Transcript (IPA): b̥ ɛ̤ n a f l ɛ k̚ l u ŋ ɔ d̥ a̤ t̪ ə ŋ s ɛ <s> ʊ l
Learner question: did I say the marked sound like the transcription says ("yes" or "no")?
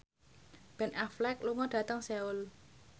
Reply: no